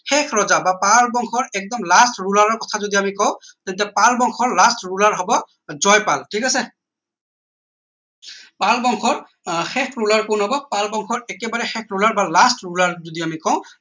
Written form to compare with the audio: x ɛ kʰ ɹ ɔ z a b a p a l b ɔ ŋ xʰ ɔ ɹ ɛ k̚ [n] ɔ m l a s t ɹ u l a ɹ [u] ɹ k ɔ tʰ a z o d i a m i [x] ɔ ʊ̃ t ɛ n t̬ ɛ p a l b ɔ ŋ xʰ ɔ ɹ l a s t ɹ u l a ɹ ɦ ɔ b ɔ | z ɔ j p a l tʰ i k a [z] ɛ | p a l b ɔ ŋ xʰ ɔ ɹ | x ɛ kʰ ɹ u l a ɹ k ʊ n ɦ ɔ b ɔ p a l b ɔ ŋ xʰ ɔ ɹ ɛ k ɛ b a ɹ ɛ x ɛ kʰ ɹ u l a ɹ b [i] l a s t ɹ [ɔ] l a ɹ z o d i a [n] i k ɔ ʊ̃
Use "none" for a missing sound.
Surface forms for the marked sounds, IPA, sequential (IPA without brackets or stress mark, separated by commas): d, ɔ, k, s, a, u, m